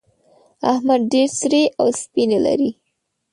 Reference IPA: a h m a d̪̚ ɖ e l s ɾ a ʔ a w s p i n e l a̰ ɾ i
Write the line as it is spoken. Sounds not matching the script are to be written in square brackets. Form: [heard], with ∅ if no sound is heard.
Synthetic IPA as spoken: a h m a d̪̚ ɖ e [ɾ] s ɾ [e] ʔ a w s p i n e l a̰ ɾ i